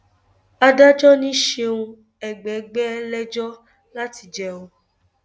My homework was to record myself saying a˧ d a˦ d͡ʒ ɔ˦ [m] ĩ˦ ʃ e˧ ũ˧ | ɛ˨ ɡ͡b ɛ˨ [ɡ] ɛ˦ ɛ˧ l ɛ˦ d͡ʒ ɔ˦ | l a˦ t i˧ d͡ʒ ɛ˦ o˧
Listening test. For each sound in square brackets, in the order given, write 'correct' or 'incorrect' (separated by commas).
incorrect, incorrect